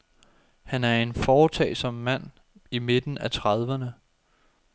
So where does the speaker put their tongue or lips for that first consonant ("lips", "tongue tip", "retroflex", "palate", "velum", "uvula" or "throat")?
throat